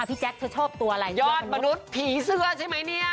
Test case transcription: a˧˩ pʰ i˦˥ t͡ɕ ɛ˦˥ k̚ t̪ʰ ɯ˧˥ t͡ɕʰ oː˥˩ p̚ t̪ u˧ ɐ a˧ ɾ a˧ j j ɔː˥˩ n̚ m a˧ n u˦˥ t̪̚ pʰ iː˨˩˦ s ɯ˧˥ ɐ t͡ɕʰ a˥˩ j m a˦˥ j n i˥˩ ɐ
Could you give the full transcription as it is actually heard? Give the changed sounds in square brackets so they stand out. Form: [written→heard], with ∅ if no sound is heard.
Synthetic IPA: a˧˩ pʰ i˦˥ t͡ɕ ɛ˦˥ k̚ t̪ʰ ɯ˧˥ t͡ɕʰ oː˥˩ p̚ t̪ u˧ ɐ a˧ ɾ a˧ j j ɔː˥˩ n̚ m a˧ n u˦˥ t̪̚ pʰ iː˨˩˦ s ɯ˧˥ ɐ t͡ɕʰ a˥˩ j m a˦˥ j n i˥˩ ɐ